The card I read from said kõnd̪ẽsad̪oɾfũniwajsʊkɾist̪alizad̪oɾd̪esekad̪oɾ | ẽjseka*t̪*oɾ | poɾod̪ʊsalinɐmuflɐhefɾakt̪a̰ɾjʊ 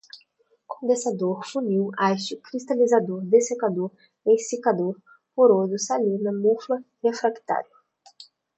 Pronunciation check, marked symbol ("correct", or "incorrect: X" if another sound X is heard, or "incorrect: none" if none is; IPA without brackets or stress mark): incorrect: d̪